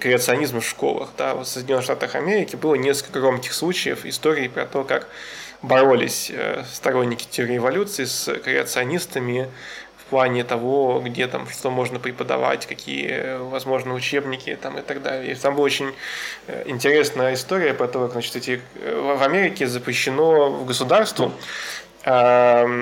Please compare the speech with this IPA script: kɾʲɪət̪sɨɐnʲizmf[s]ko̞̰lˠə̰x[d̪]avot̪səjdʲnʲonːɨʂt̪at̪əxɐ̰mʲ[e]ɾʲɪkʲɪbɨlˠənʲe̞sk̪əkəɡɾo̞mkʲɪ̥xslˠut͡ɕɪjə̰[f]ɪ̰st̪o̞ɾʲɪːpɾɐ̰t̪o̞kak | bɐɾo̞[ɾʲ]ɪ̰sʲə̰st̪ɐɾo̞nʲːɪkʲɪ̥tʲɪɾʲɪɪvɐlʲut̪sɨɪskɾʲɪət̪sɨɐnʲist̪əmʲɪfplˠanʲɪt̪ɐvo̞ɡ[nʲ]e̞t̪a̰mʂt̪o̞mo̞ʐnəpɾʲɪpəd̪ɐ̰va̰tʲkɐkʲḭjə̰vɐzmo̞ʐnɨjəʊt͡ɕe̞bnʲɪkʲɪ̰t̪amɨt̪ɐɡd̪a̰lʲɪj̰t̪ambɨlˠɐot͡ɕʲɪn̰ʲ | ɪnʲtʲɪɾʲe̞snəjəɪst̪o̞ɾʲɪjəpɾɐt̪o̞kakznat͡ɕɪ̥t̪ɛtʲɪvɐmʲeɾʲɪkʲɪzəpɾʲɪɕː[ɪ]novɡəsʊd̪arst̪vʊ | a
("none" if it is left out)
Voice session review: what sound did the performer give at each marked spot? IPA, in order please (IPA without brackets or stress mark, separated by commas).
ʂ, d̪, e, f, lʲ, dʲ, ɪ